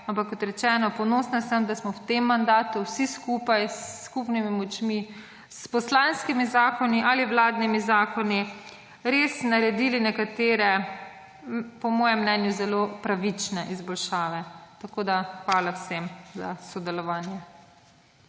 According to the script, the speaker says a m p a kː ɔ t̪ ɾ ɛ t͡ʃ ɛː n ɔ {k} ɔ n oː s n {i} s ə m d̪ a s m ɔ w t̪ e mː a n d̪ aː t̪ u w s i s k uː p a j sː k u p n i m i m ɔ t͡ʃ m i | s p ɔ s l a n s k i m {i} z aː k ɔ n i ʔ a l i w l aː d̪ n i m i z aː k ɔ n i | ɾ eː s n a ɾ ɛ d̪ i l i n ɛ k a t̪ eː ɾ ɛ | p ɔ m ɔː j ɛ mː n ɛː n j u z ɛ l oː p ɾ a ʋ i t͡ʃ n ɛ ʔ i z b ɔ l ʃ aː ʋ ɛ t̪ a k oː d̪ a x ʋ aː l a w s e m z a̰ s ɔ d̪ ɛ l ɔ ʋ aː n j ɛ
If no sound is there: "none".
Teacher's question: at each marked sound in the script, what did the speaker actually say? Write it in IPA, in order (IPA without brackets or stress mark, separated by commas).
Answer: p, a, i